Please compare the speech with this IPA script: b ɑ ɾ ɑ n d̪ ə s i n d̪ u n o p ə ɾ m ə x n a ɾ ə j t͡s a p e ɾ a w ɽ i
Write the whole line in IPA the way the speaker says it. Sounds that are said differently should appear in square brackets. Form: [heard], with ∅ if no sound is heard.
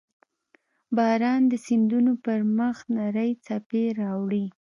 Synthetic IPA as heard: b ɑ ɾ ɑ n d̪ ə s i n d̪ u n o p ə ɾ m ə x n a ɾ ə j t͡s a p e ɾ [ɑ] w ɽ i